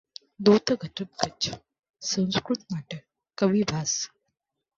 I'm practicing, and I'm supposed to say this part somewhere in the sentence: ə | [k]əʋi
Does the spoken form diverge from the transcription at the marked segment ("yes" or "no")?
no